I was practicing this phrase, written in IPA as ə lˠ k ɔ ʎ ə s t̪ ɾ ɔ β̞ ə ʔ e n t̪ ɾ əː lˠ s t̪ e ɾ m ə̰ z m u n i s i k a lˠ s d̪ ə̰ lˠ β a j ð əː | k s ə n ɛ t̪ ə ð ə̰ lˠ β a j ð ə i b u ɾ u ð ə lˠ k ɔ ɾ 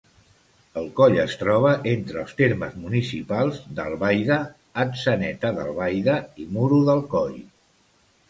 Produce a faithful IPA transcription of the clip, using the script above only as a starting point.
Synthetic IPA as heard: ə lˠ k ɔ ʎ ə s t̪ ɾ ɔ β̞ ə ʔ e n t̪ ɾ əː lˠ s t̪ e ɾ m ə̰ z m u n i s i p a lˠ z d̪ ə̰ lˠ β a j ð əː | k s ə n ɛ t̪ ə ð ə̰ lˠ β a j ð ə i m u ɾ u ð ə lˠ k ɔ ʎ